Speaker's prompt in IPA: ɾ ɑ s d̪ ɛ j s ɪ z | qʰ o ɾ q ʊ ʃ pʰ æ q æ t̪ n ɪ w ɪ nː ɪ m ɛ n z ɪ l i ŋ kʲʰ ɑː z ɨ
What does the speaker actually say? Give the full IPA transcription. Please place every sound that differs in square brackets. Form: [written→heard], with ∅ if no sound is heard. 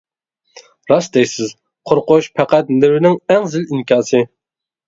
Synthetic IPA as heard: ɾ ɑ s d̪ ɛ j s ɪ z | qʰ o ɾ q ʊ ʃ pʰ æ q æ t̪ n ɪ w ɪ [nː→n] ɪ [m→ŋ] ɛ [n→ŋ] z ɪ l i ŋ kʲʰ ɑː [z→s] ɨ

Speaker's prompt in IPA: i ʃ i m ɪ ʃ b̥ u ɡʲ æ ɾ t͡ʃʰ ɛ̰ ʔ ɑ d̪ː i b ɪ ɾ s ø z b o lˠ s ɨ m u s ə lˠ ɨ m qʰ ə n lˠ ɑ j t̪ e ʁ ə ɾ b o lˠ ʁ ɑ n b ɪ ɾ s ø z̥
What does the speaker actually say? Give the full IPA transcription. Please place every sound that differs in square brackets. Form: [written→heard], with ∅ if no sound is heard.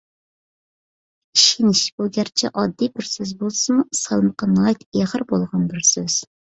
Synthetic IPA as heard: i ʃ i [m→n] ɪ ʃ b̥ u ɡʲ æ ɾ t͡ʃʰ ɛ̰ ʔ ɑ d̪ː i b ɪ ɾ s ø z b o lˠ s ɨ m u s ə lˠ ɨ m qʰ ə n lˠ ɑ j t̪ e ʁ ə ɾ b o lˠ ʁ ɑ n b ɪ ɾ s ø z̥

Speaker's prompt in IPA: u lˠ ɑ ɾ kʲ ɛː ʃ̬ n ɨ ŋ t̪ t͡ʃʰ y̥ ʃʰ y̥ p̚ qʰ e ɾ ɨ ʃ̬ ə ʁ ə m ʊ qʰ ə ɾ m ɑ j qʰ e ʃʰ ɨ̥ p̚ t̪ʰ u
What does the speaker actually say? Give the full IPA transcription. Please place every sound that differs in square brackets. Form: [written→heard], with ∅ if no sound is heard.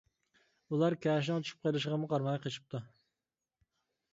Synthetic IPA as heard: u lˠ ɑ ɾ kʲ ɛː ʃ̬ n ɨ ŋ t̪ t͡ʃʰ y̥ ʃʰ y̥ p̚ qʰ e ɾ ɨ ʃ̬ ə ʁ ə m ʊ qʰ [ə→ɑ] ɾ m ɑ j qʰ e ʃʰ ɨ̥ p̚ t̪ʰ u

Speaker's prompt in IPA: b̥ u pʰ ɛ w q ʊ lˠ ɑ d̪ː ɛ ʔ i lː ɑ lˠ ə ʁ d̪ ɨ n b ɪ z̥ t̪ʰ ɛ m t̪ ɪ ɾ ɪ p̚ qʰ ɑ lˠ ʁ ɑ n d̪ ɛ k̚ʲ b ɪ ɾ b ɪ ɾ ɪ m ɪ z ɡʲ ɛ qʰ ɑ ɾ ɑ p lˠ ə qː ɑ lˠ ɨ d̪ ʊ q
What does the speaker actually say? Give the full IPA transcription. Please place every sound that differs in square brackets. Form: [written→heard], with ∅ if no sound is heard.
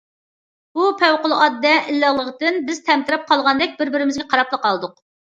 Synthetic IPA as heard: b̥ u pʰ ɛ w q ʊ lˠ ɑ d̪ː ɛ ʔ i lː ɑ lˠ ə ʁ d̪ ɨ n b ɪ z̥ t̪ʰ ɛ m t̪ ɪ ɾ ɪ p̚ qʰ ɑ lˠ ʁ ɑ n d̪ ɛ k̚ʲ b ɪ ɾ b ɪ ɾ ɪ m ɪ z ɡʲ ɛ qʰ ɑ ɾ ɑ p lˠ ə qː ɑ lˠ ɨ d̪ ʊ q

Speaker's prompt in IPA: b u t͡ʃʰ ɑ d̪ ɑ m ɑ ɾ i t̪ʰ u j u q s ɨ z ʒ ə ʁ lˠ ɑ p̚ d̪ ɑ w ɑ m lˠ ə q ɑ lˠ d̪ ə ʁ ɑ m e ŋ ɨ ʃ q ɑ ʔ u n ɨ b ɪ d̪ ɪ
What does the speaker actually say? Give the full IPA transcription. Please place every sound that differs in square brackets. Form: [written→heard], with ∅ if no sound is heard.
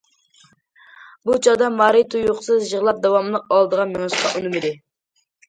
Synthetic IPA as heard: b u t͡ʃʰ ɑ d̪ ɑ m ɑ ɾ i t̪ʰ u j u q s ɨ z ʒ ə ʁ lˠ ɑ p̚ d̪ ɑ w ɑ m lˠ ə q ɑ lˠ d̪ ə ʁ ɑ m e ŋ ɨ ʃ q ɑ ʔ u n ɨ [b→m] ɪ d̪ ɪ

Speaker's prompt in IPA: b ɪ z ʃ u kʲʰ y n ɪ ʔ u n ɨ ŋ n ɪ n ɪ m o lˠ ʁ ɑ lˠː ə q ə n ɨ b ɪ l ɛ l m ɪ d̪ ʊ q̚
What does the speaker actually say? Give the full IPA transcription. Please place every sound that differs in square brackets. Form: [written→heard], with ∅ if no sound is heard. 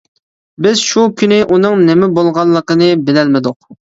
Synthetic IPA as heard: b ɪ z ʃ u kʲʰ y n ɪ ʔ u n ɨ ŋ n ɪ [n→m] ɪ [m→b] o lˠ ʁ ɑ lˠː ə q ə n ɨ b ɪ l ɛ l m ɪ d̪ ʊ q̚

